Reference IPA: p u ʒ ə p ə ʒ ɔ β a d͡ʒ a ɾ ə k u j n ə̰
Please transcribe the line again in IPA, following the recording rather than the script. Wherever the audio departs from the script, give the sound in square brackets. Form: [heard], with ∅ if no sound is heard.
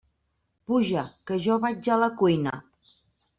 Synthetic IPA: p u ʒ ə [k] ə ʒ ɔ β a d͡ʒ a [l] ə k u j n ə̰